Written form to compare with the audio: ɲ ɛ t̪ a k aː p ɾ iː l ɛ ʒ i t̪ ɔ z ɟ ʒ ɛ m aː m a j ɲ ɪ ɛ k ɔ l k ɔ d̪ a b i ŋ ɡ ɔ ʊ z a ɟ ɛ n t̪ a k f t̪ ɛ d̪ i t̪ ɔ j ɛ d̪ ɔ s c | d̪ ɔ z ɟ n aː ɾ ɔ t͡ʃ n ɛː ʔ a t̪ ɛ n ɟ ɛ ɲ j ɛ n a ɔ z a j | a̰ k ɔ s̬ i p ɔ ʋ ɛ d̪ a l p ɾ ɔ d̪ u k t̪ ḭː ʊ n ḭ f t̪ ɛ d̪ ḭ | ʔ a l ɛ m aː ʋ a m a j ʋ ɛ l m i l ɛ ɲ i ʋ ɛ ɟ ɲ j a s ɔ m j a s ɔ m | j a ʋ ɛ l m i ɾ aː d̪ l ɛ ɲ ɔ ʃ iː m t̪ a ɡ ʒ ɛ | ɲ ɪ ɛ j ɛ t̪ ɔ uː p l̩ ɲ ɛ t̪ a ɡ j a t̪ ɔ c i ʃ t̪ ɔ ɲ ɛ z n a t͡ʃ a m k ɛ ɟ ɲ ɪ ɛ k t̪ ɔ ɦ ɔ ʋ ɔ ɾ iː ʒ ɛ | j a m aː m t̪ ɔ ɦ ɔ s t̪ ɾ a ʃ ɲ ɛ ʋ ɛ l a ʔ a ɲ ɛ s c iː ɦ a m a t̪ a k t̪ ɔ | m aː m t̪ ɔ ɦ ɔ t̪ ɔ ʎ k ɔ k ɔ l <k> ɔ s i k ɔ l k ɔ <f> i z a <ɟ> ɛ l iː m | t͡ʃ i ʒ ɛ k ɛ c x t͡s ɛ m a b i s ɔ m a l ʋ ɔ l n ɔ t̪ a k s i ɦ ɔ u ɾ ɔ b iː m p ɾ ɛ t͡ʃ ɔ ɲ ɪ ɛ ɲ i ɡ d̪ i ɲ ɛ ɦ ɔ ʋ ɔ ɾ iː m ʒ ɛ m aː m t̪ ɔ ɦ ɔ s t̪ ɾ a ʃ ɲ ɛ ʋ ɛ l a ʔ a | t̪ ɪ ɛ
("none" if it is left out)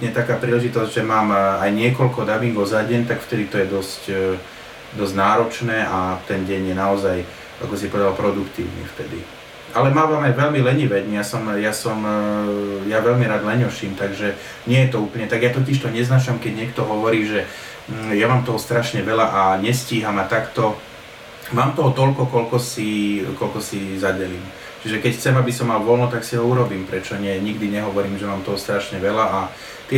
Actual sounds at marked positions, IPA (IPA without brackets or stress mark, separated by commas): k, s, ɟ